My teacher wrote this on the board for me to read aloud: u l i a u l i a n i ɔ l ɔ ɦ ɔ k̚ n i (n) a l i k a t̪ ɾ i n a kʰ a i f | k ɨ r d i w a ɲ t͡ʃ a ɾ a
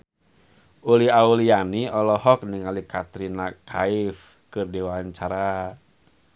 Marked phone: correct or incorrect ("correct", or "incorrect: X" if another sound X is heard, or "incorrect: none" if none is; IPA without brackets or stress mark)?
incorrect: ŋ